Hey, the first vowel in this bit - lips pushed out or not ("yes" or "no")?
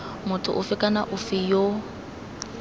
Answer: yes